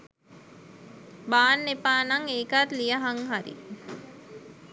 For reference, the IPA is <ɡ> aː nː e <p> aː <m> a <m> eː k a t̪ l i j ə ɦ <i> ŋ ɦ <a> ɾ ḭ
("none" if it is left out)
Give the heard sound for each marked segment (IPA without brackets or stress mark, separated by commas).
b, p, n, ŋ, a, a